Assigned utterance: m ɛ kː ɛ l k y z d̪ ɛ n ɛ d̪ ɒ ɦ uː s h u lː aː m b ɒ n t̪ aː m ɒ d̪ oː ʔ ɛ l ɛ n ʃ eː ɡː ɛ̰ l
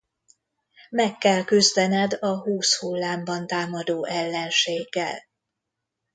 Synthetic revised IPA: m ɛ kː ɛ l k y z d̪ ɛ n ɛ d̪ ɒ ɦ uː s h u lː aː m b ɒ n t̪ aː m ɒ d̪ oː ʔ ɛ lː ɛ n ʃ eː ɡː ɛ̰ l